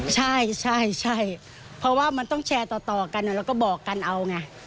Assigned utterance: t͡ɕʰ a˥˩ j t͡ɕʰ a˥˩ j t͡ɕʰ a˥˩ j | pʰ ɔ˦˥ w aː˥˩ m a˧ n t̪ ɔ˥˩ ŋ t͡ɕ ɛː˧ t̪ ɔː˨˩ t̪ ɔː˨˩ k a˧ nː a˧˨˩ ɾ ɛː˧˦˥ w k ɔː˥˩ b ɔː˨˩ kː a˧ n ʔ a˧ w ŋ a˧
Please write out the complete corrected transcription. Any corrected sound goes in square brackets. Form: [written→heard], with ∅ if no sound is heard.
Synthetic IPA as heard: t͡ɕʰ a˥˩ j t͡ɕʰ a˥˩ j t͡ɕʰ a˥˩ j | pʰ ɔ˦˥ w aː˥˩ m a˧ n t̪ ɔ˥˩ ŋ [t͡ɕ→t͡ɕʰ] ɛː˧ t̪ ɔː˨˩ t̪ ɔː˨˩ k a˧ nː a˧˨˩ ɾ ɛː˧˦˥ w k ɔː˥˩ b ɔː˨˩ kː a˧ n ʔ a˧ w ŋ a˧